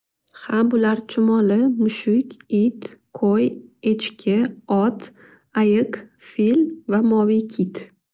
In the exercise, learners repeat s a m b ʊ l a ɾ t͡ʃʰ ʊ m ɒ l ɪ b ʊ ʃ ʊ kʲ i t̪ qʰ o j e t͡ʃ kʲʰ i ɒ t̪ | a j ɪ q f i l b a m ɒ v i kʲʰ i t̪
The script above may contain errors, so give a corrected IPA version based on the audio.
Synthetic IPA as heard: h a m b ʊ l a ɾ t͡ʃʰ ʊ m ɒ l ɪ m ʊ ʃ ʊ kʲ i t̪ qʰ o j e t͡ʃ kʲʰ ɪ ɒ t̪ | a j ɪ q f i l v a m ɒ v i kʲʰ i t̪